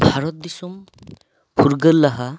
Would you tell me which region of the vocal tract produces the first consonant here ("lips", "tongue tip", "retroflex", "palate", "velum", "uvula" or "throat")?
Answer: lips